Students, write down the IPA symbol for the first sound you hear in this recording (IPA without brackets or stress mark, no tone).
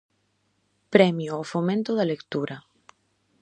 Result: p